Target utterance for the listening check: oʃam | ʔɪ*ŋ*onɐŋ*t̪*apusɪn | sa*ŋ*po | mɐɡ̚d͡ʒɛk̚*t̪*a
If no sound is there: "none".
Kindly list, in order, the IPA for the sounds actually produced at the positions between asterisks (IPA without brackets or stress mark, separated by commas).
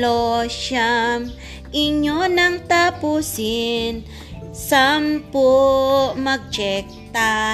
ɲ, t̪, m, t̪